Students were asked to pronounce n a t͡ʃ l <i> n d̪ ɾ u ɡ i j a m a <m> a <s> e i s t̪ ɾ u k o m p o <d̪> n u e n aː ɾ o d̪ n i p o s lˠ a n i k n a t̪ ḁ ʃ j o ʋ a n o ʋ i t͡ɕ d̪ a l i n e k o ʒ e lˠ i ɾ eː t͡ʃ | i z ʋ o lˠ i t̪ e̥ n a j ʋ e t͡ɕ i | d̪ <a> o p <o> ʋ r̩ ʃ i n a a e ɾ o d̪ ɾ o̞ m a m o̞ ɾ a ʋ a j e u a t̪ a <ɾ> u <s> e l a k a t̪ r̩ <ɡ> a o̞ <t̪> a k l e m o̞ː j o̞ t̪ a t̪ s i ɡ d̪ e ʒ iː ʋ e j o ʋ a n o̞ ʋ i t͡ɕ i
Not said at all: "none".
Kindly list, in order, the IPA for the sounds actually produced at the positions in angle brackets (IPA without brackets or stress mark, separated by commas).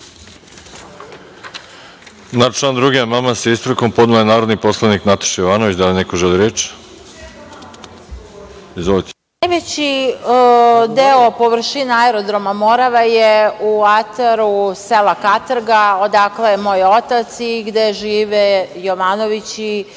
a, m, s, d̪, e, o, ɾ, s, ɡ, d̪